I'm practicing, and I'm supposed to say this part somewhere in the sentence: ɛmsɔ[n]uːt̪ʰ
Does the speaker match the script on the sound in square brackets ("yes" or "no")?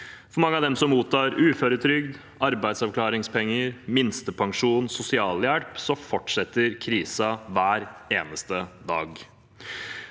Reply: no